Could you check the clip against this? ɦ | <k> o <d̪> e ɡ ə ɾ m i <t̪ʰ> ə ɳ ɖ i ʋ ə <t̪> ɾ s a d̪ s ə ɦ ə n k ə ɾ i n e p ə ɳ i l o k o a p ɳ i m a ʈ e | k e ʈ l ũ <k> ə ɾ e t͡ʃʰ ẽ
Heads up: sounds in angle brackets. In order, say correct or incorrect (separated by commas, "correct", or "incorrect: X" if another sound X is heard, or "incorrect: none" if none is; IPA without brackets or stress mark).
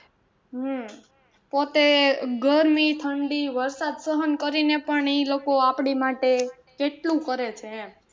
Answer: incorrect: p, incorrect: t̪, correct, incorrect: none, correct